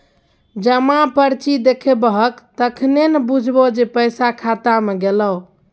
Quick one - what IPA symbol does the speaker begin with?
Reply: d͡ʒ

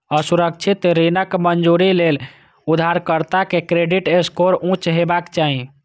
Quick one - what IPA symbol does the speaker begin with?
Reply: ə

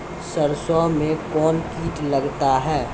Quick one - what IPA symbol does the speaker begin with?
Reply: s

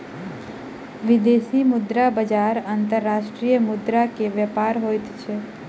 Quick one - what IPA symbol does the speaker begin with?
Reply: ʋ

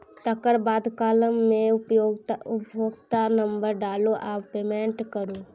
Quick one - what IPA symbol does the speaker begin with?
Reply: t̪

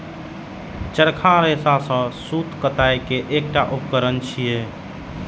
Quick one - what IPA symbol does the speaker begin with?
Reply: t͡ʃ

